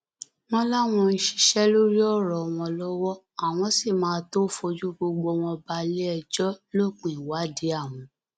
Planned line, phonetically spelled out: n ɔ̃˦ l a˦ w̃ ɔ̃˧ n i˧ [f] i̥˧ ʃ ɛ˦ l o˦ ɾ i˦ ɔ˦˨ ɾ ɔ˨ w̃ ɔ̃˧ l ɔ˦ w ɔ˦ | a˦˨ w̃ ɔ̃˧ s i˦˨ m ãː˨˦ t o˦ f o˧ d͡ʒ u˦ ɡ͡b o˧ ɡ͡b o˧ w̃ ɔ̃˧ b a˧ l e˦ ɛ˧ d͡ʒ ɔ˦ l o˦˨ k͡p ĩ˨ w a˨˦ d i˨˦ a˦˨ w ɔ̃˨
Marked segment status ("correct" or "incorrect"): incorrect